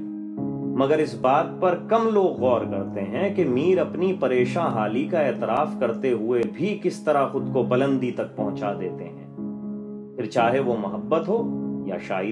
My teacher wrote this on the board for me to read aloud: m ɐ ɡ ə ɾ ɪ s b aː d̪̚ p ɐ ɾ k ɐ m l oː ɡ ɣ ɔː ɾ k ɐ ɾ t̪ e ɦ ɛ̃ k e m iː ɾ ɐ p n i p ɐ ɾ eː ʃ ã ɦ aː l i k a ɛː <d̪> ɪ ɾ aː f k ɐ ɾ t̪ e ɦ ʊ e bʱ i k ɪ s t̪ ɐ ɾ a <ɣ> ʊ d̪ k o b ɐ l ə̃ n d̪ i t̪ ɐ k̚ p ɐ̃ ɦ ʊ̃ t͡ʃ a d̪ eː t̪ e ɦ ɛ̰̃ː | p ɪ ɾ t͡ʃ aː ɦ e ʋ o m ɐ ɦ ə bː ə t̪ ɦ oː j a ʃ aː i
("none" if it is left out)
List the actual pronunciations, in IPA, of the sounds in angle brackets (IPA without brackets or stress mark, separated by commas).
t̪, x